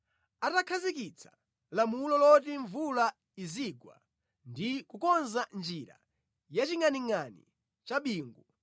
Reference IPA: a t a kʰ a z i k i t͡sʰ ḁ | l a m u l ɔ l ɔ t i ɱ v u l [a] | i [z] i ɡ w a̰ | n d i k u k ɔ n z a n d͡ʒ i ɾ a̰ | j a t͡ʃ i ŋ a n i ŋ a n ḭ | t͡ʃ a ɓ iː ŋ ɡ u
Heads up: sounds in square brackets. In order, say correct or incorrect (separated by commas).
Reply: correct, correct